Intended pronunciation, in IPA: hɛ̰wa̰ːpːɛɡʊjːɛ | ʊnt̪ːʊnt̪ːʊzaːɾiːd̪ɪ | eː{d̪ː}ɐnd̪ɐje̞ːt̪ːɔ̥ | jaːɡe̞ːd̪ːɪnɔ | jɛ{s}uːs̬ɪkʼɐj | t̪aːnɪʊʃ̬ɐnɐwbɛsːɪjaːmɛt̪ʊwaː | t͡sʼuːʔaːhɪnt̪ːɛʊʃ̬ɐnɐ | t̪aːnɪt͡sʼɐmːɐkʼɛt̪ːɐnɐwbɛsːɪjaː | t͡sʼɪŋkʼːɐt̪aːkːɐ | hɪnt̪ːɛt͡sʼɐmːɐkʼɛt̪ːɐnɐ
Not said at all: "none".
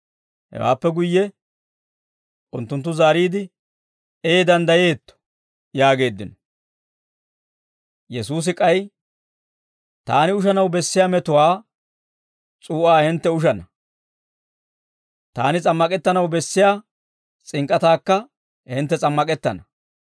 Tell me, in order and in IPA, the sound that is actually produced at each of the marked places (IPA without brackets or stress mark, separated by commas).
d̪, s